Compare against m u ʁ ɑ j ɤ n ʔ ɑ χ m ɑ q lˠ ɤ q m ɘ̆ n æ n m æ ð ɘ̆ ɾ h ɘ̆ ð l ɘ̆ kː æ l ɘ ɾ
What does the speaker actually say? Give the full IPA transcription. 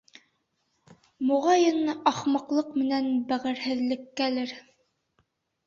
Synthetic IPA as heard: m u ʁ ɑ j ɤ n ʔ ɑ χ m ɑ q lˠ ɤ q m ɘ̆ n æ n b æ ʁ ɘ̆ ɾ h ɘ̆ ð l ɘ̆ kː æ l ɘ ɾ